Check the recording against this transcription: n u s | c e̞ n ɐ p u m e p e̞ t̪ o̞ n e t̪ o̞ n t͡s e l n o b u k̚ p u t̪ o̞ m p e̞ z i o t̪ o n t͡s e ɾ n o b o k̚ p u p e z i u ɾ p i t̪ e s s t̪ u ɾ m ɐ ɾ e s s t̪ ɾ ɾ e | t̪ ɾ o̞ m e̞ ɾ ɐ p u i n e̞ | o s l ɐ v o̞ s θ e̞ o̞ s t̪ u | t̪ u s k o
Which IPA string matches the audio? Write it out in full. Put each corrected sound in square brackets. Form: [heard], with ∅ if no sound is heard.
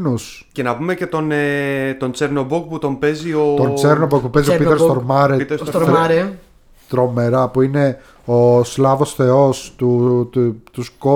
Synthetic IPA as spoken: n u s | c e̞ n ɐ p u m e [c] e̞ t̪ o̞ n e t̪ o̞ n t͡s e [ɾ] n o b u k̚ p u t̪ o̞ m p e̞ z i o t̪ o n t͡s e ɾ n o b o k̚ p u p e z i [o] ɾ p i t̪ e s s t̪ [o] ɾ m ɐ ɾ e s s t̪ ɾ ɾ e | t̪ ɾ o̞ m e̞ ɾ ɐ p u i n e̞ | o s l ɐ v o̞ s θ e̞ o̞ s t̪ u | t̪ u s k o